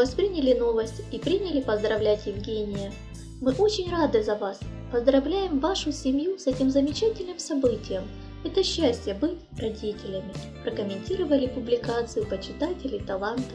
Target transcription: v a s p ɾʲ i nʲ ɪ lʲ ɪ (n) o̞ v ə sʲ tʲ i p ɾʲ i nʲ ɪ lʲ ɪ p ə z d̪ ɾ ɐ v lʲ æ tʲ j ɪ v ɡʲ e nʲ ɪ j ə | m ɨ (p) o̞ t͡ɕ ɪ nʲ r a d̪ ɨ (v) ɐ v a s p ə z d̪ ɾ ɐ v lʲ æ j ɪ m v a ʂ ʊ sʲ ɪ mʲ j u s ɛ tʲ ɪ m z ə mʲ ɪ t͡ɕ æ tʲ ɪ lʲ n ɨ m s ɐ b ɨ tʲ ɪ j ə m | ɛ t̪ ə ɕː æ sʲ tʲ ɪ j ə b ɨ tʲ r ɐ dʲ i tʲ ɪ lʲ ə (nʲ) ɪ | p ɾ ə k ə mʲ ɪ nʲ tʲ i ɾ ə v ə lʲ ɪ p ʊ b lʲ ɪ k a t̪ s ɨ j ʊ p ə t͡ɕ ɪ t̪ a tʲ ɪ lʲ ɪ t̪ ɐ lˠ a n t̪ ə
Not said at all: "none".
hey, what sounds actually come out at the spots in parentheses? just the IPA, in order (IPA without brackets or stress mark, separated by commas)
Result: n, ʔ, z, mʲ